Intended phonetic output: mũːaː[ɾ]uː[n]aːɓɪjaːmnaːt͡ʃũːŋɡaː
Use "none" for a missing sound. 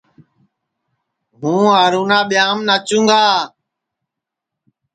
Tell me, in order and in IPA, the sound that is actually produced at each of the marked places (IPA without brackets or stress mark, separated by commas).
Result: ɾ, n